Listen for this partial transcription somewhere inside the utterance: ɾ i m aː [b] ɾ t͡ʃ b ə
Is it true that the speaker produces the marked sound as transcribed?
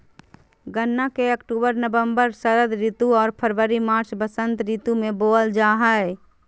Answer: no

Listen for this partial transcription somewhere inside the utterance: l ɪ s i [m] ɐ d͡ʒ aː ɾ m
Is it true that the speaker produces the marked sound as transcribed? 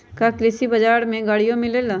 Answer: no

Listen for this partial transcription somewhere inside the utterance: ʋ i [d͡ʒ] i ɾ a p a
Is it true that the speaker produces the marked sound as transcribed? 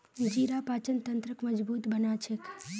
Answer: yes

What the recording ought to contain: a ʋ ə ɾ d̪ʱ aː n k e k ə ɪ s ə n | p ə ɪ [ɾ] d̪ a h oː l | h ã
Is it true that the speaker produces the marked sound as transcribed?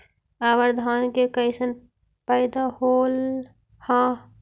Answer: no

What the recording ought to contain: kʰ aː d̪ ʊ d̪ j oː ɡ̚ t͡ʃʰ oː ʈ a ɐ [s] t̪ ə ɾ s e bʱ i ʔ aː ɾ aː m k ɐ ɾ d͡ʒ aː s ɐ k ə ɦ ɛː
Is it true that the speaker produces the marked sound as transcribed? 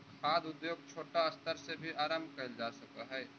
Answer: yes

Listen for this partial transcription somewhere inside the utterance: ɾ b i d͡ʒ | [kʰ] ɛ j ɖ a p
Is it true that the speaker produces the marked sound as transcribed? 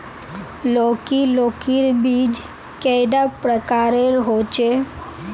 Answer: no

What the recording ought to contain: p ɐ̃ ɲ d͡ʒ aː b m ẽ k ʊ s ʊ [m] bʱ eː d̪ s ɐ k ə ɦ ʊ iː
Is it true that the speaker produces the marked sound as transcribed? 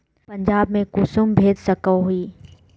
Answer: yes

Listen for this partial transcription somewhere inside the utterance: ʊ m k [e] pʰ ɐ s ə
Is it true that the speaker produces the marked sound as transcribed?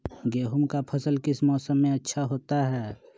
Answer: no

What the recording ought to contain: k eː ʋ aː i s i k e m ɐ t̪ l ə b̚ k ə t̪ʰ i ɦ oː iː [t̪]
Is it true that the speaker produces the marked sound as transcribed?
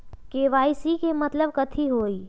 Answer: no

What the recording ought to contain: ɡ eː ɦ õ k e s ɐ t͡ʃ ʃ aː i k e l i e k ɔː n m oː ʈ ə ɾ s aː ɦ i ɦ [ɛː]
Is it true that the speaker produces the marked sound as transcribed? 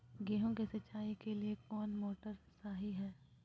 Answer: yes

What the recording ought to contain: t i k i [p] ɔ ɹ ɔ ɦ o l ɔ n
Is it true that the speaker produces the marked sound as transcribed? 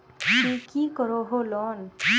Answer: no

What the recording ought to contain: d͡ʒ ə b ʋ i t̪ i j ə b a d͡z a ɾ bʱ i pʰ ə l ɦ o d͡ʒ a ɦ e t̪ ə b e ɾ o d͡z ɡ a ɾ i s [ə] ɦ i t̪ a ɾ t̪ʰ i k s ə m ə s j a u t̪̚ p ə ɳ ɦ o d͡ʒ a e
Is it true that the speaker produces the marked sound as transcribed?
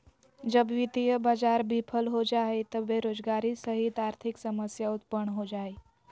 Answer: yes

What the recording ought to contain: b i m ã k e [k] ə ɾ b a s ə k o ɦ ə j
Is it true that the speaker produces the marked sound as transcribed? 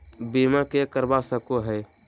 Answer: yes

